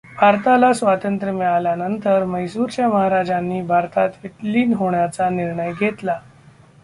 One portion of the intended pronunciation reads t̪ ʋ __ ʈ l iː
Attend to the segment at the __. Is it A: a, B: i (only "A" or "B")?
B